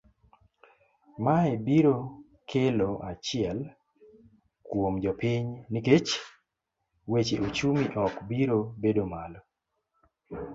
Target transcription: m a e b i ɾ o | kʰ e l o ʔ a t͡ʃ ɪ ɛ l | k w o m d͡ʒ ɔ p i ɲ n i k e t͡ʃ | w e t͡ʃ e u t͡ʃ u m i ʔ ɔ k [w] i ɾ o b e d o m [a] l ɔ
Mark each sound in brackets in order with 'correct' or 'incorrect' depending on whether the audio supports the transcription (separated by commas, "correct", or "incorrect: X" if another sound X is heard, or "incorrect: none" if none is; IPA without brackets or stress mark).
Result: incorrect: b, correct